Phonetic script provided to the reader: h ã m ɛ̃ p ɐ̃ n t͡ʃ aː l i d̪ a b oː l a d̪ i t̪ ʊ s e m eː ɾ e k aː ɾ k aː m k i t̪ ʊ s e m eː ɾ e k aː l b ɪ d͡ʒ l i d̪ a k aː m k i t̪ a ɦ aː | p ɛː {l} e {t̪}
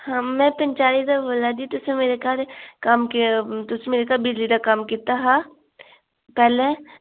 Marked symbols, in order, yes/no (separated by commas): yes, no